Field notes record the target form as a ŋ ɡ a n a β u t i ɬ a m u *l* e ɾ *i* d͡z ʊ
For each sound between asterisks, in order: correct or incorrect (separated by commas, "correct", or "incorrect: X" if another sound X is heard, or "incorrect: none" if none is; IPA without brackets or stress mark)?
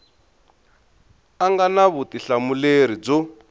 correct, correct